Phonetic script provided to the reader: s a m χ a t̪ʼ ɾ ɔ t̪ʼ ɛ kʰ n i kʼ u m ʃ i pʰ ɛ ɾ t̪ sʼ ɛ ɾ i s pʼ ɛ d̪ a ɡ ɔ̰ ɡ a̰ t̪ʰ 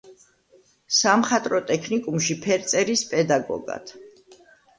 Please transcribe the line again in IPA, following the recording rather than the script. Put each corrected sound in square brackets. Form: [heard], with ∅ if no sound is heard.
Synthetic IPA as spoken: s a m χ a t̪ʼ ɾ ɔ t̪ʼ ɛ kʰ n i kʼ u m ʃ i pʰ ɛ ɾ t̪ sʼ ɛ ɾ i s pʼ ɛ d̪ a ɡ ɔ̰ ɡ a̰ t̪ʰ